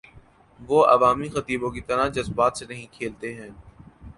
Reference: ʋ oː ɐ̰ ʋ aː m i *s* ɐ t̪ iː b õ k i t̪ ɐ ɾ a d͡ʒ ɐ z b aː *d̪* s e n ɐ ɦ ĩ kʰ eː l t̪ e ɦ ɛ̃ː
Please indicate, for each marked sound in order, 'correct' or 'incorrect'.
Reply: incorrect: x, incorrect: t̪

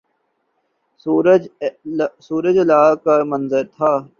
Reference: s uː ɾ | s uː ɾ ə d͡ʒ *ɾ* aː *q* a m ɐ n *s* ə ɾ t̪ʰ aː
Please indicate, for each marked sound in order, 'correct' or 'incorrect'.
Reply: incorrect: l, incorrect: k, incorrect: z

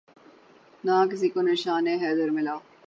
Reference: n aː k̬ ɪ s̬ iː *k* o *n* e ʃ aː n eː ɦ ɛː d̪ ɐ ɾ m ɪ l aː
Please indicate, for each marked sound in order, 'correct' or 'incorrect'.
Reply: correct, correct

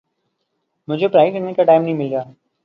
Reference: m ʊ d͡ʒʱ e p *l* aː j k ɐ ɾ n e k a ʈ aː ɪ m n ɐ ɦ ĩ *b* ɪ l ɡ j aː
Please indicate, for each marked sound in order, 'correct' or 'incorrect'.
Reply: incorrect: ɾ, incorrect: m

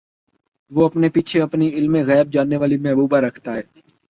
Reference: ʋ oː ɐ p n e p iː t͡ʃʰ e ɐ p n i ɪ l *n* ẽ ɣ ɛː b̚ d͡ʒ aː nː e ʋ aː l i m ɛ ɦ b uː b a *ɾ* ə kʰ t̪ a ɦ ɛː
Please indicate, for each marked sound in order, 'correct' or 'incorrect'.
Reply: incorrect: m, correct

